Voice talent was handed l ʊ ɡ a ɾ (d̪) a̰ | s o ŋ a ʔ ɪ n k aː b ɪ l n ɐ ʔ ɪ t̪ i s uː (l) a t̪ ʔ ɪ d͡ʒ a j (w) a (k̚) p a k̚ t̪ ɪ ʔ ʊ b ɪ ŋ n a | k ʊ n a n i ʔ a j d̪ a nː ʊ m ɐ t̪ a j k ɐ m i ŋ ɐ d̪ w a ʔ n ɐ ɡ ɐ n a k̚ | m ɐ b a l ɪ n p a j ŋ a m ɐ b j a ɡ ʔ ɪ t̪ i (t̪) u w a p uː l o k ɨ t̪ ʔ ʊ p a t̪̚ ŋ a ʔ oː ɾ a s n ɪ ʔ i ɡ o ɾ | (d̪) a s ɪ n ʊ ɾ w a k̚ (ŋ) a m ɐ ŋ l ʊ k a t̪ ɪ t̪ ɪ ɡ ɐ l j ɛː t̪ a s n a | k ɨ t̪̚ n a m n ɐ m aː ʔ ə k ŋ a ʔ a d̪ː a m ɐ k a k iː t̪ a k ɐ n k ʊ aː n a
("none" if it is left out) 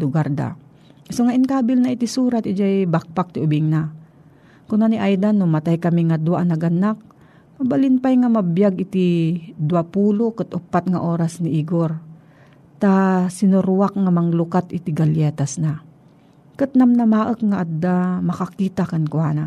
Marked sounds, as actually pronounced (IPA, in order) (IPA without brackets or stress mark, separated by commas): d̪, ɾ, b, k̚, d̪, t̪, ŋ